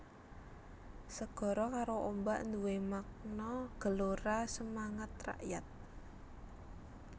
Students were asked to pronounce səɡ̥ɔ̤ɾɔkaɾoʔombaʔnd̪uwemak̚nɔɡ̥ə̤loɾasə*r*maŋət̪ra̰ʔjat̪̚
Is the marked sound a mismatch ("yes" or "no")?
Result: yes